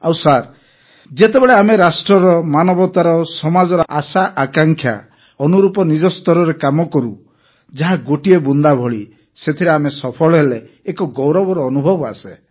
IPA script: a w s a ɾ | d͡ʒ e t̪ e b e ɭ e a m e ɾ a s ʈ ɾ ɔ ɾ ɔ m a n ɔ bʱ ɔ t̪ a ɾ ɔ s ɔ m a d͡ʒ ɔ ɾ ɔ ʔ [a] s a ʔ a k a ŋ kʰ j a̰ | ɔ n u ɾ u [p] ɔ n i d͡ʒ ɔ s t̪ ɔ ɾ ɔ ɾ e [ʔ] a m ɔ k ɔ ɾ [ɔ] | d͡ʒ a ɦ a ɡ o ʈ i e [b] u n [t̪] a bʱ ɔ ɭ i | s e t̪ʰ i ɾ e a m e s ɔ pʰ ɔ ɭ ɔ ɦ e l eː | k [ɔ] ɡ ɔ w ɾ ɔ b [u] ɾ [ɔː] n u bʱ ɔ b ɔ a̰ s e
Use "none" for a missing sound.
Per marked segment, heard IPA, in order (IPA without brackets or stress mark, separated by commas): a, p, k, u, b, d̪, ɔ, ɔ, ɔː